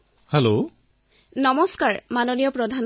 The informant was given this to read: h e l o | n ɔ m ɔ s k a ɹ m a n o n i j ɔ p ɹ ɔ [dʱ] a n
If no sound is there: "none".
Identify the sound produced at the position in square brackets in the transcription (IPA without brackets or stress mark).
dʱ